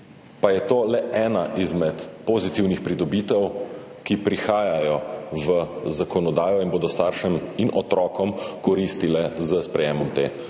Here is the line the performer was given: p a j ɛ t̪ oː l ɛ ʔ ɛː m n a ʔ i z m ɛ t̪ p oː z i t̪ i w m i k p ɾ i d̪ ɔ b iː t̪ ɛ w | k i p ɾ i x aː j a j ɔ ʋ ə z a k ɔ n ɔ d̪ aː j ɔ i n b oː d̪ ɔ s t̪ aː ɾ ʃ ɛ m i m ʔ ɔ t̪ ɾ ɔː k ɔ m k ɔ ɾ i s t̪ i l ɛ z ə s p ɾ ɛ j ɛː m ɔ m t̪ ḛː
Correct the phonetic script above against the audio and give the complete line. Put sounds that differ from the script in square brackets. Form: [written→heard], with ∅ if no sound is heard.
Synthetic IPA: p a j ɛ t̪ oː l ɛ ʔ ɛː [m→∅] n a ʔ i z m ɛ t̪ p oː z i t̪ i w [m→n] i [k→x] p ɾ i d̪ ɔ b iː t̪ ɛ w | k i p ɾ i x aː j a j ɔ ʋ ə z a k ɔ n ɔ d̪ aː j ɔ i n b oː d̪ ɔ s t̪ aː ɾ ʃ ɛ m i [m→n] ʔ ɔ t̪ ɾ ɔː k ɔ m k ɔ ɾ i s t̪ i l ɛ z ə s p ɾ ɛ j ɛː m ɔ m t̪ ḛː